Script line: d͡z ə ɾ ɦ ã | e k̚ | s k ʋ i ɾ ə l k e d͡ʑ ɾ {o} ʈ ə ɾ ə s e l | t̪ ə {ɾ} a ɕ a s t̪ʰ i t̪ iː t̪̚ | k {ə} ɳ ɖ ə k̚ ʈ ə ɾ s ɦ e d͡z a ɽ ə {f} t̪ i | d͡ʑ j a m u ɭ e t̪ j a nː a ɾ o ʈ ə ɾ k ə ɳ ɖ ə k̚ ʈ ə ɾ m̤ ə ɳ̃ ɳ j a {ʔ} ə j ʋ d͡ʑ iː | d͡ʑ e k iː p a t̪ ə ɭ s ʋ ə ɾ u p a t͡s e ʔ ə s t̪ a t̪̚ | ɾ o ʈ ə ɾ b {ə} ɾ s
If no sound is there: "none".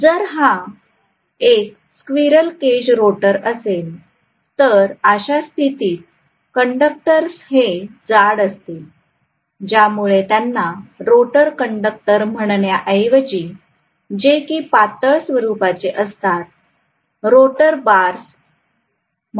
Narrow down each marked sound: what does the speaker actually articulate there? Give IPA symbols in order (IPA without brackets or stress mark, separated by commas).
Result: o, ɾ, ə, s, ʔ, a